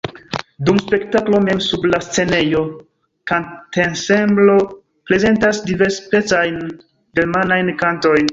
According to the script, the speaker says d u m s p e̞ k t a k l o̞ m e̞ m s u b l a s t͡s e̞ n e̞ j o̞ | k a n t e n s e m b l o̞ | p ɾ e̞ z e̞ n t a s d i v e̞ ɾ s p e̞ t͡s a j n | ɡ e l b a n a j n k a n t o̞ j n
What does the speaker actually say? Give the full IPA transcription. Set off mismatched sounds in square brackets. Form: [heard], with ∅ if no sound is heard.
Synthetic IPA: d u m s p e̞ k t a k l o̞ m e̞ m s u b l a s t͡s e̞ n e̞ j o̞ | k a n t e n s e m b l o̞ | p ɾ e̞ z e̞ n t a s d i v e̞ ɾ s p e̞ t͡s a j n | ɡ e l [m] a n a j n k a n t o̞ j n